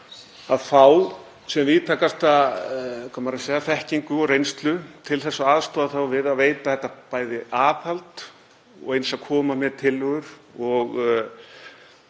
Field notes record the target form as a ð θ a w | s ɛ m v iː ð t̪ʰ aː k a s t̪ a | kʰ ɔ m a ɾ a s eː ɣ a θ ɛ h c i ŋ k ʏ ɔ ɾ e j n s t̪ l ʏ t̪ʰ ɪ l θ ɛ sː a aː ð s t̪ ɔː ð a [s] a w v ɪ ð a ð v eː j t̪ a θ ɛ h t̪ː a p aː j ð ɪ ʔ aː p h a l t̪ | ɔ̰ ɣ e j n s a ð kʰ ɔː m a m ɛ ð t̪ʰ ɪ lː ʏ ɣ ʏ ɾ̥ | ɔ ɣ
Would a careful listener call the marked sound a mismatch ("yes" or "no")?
yes